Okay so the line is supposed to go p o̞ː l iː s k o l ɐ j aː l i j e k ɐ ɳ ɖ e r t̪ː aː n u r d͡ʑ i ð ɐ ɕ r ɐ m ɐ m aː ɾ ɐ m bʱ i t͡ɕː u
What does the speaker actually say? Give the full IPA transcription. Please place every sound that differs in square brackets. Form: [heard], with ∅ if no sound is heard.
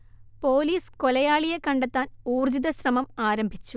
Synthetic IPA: p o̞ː l iː s k o l ɐ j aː [ɭ] i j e k ɐ ɳ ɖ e [∅] t̪ː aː n [uː] r d͡ʑ i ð ɐ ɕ r ɐ m ɐ m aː ɾ ɐ m bʱ i t͡ɕː u